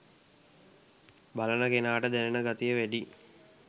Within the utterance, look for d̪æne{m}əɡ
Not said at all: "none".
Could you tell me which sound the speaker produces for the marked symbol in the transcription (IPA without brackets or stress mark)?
n